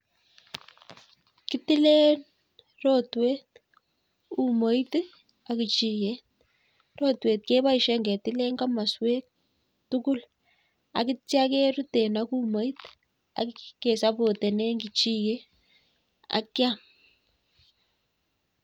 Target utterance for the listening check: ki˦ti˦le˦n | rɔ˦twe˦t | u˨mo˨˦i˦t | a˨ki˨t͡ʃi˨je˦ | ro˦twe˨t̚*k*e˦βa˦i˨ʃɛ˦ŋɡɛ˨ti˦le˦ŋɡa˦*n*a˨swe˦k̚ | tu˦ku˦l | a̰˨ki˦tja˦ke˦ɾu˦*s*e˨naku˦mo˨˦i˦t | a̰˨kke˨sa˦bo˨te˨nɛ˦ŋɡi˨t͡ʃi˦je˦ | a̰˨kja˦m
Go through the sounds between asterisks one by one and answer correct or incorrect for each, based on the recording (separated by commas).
correct, incorrect, incorrect